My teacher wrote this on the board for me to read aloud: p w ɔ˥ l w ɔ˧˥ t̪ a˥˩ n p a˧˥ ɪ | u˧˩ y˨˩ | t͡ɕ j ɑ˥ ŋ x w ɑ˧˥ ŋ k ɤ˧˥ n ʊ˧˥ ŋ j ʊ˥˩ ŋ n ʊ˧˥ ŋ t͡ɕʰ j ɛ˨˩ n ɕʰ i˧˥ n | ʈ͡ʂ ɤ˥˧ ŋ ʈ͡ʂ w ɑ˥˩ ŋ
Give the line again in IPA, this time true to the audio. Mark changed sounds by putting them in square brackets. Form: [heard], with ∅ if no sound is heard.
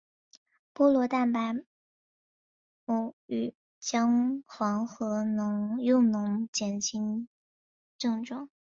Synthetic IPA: p w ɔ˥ l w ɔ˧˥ t̪ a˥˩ n p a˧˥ ɪ | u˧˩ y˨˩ | t͡ɕ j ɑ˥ ŋ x w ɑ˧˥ ŋ [x] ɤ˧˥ n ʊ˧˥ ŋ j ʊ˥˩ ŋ n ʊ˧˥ ŋ [t͡ɕ] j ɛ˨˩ n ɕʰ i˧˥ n | ʈ͡ʂ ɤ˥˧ ŋ ʈ͡ʂ w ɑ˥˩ ŋ